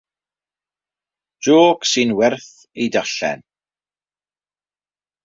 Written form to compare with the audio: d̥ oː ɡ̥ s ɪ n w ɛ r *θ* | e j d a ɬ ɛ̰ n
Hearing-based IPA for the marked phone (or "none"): θ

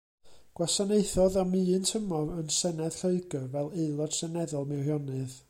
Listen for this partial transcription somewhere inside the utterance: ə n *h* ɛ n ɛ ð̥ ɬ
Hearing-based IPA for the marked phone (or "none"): s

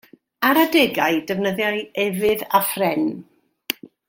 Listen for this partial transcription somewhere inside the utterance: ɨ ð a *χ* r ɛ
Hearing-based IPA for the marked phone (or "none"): f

